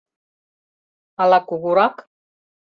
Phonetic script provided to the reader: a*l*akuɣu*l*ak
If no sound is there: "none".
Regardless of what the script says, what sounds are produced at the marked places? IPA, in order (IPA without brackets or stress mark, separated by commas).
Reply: l, ɾ